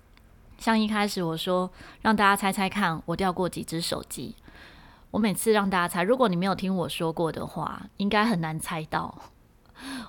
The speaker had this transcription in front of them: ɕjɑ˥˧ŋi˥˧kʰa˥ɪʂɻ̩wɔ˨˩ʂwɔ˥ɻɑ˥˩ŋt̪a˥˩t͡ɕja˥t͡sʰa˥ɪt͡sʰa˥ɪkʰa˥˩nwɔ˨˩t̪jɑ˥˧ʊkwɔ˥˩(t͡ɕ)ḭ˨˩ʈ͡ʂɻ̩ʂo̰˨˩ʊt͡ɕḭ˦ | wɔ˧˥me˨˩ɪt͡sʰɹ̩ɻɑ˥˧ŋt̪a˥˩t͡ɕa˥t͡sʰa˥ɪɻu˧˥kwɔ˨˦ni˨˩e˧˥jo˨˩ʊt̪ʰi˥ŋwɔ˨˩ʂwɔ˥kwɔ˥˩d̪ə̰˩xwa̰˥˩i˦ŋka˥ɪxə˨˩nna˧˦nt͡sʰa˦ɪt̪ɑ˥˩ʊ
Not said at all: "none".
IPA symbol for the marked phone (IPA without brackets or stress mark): t͡ɕ